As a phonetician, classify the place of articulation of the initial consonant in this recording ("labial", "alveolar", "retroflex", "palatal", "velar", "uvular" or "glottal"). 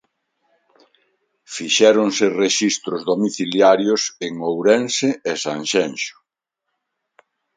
labial